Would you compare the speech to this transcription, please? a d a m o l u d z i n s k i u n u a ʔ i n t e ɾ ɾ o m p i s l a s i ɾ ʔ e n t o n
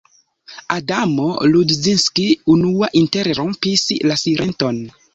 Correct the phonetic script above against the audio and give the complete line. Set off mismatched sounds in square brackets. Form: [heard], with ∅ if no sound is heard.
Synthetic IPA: a d a m o l u d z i n s k i u n u a ʔ i n t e ɾ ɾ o m p i s l a s i ɾ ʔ e n t o n